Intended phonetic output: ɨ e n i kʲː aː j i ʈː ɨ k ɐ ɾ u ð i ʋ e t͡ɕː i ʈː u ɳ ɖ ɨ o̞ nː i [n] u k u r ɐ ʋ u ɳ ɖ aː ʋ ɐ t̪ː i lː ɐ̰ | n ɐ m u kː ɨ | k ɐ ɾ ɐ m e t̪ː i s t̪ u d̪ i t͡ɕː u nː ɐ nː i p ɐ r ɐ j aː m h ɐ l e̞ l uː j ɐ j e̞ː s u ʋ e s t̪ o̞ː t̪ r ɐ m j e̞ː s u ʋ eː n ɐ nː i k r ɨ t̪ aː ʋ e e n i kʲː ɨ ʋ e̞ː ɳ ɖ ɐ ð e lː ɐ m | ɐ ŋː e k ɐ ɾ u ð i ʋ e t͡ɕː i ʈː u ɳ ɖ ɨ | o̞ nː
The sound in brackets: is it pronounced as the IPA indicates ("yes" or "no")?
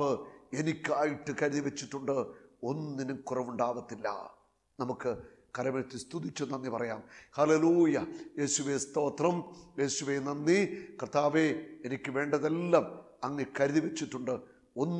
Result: yes